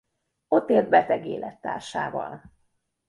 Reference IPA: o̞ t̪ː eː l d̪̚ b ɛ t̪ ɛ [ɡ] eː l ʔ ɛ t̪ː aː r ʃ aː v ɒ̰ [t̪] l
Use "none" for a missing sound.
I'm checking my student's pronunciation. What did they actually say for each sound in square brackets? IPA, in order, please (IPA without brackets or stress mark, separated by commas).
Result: ɡ, none